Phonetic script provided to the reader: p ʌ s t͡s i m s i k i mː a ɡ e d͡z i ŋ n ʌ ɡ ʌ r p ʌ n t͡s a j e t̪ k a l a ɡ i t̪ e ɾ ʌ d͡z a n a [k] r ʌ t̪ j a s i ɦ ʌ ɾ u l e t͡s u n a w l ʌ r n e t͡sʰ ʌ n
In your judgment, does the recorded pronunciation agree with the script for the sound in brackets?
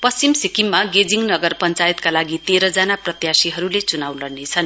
no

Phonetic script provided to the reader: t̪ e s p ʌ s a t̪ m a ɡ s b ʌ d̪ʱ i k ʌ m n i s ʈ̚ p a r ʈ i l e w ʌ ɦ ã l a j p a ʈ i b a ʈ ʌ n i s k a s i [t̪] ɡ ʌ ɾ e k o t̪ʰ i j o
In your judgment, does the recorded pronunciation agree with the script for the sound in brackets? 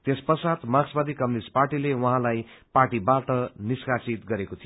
yes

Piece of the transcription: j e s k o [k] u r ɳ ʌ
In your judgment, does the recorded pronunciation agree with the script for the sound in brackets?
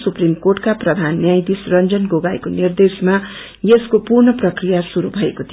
no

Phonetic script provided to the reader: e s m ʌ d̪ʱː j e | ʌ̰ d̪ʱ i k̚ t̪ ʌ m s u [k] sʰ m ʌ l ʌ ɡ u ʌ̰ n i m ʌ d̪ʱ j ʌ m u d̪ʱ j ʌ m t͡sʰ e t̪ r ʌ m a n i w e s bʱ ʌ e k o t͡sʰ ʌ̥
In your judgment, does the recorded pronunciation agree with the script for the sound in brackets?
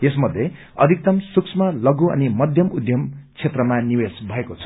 yes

